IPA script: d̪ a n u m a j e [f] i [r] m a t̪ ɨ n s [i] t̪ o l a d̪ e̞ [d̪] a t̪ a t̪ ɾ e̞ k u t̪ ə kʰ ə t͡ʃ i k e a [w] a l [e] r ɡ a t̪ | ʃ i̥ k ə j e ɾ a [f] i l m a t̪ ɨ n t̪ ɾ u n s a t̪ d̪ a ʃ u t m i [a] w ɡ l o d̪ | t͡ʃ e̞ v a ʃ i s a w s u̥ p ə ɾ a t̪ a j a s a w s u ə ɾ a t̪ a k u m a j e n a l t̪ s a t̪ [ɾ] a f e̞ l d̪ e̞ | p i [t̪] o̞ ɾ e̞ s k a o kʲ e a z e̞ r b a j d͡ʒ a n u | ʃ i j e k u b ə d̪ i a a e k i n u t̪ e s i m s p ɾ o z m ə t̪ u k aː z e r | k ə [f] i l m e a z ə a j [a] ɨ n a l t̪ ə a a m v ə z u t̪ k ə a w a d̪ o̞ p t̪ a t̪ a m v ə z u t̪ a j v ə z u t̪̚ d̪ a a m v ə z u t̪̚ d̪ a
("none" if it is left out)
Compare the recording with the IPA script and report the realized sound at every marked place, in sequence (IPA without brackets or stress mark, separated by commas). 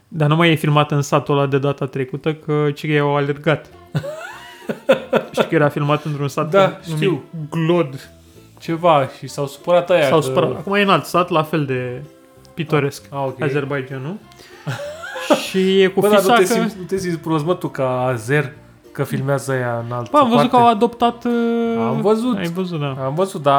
f, l, a, d̪, w, e, f, i, l, t̪, f, a